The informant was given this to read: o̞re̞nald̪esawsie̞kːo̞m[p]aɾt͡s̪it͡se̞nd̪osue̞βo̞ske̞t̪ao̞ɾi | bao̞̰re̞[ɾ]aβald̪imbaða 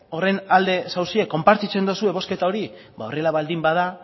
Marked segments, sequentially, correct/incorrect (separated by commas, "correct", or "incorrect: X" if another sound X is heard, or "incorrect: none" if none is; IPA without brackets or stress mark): correct, incorrect: l